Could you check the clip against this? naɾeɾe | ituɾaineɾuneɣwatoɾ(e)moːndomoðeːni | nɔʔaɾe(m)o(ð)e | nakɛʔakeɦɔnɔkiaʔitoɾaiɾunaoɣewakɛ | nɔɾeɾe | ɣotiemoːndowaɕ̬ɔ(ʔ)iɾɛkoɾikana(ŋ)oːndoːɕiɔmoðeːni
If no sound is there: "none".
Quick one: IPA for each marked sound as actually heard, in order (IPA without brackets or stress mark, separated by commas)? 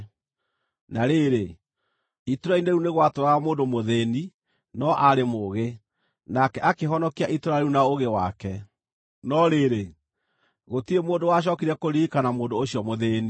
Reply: a, m, ɣ, k, m